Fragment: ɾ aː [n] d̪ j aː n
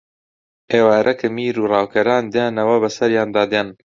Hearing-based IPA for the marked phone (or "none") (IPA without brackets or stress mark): n